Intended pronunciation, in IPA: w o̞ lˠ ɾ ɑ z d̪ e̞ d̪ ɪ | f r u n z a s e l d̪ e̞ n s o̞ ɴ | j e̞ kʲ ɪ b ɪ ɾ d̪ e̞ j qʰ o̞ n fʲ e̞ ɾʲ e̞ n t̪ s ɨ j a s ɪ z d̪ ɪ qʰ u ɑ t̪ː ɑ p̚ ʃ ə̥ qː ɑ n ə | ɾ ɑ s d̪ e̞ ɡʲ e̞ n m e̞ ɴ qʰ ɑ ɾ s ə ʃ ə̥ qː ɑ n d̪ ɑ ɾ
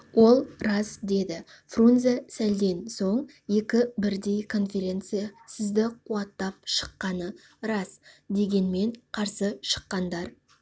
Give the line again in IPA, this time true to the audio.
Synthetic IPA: w o̞ lˠ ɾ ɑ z d̪ e̞ d̪ ɪ | f r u n z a s æ l d̪ e̞ n s o̞ ɴ | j e̞ kʲ ɪ b ɪ ɾ d̪ e̞ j kʰ o̞ n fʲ e̞ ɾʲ e̞ n t̪ s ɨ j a s ɪ z d̪ ɪ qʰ u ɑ t̪ː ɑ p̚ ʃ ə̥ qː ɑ n ə | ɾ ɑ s d̪ e̞ ɡʲ e̞ n m e̞ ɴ qʰ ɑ ɾ s ə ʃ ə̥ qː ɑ n d̪ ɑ ɾ

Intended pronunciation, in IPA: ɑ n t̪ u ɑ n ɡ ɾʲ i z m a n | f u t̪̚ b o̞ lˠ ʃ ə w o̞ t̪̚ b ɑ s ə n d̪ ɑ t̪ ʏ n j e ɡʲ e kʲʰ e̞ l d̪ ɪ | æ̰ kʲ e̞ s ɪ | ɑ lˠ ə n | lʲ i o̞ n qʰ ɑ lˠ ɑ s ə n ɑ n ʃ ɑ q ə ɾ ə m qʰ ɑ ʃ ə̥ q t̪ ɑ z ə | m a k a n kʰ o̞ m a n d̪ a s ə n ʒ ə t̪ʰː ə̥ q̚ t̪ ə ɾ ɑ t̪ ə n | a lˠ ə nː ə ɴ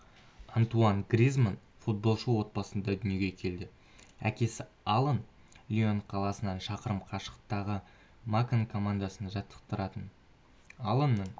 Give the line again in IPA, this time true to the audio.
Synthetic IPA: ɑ n t̪ u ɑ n ɡ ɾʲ i z m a n | f u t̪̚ b o̞ lˠ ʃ ə w o̞ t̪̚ b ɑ s ə n d̪ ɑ d̪ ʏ n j e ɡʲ e kʲʰ e̞ l d̪ ɪ | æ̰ kʲ e̞ s ɪ | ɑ lˠ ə n | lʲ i o̞ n qʰ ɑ lˠ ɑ s ə n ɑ n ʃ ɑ q ə ɾ ə m qʰ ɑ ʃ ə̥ q t̪ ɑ ʁ ə | m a k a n kʰ o̞ m a n d̪ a s ə n ʒ ɑ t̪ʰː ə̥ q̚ t̪ ə ɾ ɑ t̪ ə n | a lˠ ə nː ə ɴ

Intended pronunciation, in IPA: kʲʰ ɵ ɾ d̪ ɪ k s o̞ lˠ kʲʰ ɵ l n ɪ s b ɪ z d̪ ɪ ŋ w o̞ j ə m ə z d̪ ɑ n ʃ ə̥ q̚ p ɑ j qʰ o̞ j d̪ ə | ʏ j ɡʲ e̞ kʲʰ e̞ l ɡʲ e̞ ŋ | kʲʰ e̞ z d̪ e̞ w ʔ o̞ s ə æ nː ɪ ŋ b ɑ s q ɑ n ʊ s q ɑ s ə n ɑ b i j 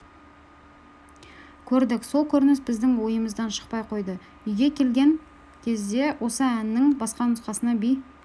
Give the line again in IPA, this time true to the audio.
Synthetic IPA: kʲʰ ɵ ɾ d̪ ɪ k s o̞ lˠ kʲʰ ɵ ɾ n ɪ s b ɪ z d̪ ɪ ŋ w o̞ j ə m ə z d̪ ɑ n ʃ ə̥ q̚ p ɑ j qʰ o̞ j d̪ ə | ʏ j ɡʲ e̞ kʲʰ e̞ l ɡʲ e̞ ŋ | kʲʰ e̞ z d̪ e̞ w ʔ o̞ s ə æ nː ɪ ŋ b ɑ s q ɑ n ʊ s q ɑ s ə n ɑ b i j

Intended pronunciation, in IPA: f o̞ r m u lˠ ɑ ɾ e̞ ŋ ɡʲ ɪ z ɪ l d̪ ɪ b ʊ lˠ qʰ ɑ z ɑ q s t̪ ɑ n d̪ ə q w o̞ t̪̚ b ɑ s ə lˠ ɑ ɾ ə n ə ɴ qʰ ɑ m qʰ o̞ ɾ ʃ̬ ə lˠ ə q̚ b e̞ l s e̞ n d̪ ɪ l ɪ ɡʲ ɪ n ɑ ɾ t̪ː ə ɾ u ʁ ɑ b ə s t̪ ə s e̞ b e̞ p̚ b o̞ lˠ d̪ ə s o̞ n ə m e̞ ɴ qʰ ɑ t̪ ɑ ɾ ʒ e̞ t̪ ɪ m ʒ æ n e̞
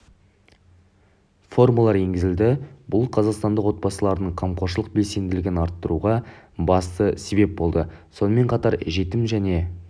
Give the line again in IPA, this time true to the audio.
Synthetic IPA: f o̞ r m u lˠ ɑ ɾ e̞ ŋ ɡʲ ɪ z ɪ l d̪ ɪ b ʊ lˠ qʰ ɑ z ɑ q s t̪ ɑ n d̪ ə q w o̞ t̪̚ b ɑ s ə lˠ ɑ ɾ ə n ə ɴ qʰ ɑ m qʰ o̞ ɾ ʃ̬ ə lˠ ə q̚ b e̞ l s e̞ n d̪ ɪ l ɪ ɡʲ ɪ n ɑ ɾ t̪ː ə ɾ u ʁ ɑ b ɑ s t̪ ə s e̞ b e̞ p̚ b o̞ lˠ d̪ ə s o̞ n ə m e̞ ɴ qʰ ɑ t̪ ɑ ɾ ʒ e̞ t̪ ɪ m ʒ æ n e̞

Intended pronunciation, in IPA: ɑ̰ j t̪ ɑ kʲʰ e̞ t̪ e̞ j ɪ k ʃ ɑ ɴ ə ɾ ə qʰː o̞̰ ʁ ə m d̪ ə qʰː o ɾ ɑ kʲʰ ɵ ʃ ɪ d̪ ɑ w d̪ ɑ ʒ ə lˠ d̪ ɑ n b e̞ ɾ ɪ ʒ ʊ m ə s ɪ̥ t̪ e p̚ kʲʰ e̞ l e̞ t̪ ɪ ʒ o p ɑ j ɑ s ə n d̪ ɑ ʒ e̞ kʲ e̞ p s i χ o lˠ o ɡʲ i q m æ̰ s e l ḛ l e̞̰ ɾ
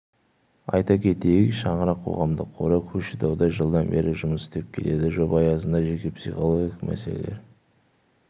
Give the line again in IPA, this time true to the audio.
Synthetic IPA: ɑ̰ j t̪ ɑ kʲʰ e̞ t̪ e̞ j ɪ k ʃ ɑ ɴ ə ɾ ɑ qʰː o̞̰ ʁ ɑ m d̪ ə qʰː o ɾ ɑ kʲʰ ɵ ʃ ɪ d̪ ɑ w d̪ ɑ ʒ ə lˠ d̪ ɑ n b e̞ ɾ ɪ ʒ ʊ m ə s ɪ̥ t̪ e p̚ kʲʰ e̞ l e̞ d̪ ɪ ʒ o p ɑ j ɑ s ə n d̪ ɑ ʒ e̞ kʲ e̞ p s i χ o lˠ o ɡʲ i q m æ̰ s e l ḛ l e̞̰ ɾ

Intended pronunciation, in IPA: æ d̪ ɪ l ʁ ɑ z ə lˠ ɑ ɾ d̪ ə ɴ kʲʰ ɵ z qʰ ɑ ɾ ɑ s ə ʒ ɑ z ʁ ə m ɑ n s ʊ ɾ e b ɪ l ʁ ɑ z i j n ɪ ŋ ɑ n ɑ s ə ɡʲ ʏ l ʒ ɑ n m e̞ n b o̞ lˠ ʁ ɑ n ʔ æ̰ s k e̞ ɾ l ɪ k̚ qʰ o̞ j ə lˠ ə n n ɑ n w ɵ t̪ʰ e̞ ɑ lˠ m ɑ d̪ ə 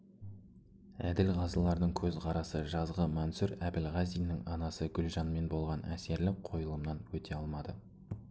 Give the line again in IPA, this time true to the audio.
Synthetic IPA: æ d̪ ɪ l ʁ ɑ z ə lˠ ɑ ɾ d̪ ə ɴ kʲʰ ɵ z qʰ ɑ ɾ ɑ s ə ʒ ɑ z ʁ ə m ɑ n s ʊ ɾ æ b ɪ l ʁ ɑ z i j n ɪ ŋ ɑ n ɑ s ə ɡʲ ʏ l ʒ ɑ n m e̞ n b o̞ lˠ ʁ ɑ n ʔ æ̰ s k e̞ ɾ l ɪ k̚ qʰ o̞ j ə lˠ ə m n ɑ n w ɵ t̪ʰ e̞ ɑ lˠ m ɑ d̪ ə

